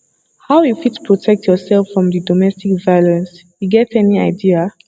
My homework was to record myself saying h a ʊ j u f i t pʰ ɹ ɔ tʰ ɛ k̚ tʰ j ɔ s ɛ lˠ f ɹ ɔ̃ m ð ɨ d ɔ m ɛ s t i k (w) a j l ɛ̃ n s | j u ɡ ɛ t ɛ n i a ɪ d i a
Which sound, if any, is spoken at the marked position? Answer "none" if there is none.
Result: v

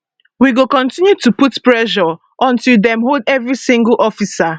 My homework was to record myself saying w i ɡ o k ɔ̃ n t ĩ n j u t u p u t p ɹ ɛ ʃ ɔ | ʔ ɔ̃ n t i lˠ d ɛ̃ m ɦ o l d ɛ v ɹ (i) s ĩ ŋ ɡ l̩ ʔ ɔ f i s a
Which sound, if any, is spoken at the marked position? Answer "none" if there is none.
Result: i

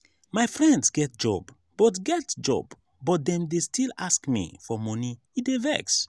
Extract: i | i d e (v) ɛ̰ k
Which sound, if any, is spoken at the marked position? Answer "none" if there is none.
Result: v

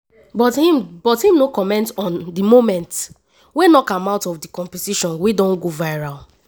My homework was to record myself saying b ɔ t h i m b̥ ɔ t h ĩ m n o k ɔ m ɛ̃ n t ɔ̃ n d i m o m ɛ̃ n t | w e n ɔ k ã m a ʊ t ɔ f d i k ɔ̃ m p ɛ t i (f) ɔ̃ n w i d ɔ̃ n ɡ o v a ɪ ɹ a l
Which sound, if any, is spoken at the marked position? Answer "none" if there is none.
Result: ʃ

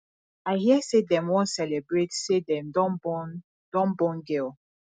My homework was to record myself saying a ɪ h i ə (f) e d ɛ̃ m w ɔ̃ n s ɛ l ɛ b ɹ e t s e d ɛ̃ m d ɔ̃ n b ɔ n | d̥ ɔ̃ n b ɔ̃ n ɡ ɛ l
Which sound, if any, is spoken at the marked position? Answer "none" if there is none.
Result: s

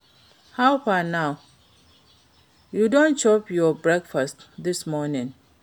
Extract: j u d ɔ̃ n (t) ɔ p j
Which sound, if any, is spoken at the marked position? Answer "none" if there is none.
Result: t͡ʃ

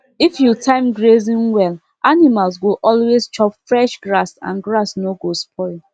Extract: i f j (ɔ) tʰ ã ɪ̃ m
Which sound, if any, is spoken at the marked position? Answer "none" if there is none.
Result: u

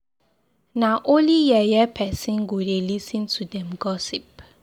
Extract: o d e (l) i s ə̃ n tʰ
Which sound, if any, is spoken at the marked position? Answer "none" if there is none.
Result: l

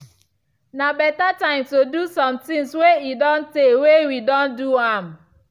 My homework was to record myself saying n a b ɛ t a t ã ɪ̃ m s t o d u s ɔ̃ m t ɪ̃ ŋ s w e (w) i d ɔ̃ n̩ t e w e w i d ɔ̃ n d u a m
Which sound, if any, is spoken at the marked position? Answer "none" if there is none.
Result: none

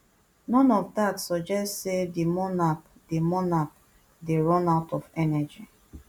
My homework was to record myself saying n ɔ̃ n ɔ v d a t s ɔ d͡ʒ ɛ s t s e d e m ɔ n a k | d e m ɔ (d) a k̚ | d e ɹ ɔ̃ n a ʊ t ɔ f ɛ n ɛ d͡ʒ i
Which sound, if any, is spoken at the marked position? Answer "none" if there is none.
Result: n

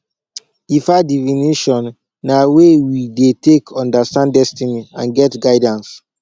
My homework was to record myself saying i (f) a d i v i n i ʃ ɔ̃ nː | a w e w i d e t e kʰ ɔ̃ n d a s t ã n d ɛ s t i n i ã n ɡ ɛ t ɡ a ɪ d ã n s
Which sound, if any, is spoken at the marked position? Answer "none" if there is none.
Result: f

